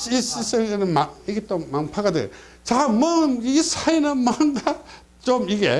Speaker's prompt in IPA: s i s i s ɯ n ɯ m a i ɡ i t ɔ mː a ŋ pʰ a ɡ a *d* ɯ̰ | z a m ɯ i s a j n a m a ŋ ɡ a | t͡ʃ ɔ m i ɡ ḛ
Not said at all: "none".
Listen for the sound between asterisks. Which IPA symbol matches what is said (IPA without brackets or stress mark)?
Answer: d